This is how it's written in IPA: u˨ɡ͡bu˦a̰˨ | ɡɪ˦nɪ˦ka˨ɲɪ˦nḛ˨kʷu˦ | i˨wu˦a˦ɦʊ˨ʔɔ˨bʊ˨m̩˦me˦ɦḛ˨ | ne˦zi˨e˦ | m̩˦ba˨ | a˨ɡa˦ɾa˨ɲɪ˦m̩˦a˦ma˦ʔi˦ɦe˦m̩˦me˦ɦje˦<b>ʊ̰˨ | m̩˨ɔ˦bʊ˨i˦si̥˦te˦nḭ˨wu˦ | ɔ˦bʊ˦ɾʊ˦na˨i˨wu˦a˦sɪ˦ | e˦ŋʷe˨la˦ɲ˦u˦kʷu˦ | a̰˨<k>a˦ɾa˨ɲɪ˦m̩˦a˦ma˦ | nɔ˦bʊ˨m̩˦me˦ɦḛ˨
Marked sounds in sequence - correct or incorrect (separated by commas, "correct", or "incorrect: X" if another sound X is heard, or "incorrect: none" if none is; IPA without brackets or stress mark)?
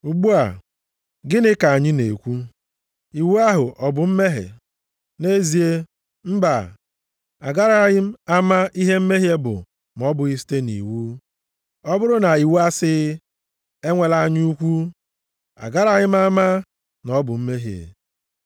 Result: correct, incorrect: ɡ